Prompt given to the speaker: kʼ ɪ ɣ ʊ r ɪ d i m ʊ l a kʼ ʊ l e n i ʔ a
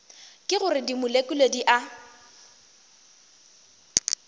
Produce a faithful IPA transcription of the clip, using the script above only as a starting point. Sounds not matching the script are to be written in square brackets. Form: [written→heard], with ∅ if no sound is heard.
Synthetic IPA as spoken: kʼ ɪ ɣ ʊ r ɪ d i m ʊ l [a→e] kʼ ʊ l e [n→d] i ʔ a